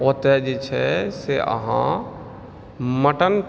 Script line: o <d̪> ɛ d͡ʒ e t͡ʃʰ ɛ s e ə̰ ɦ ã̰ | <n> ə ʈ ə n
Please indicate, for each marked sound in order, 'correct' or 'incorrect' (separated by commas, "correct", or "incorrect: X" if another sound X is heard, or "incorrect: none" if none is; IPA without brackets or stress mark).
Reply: incorrect: t̪, incorrect: m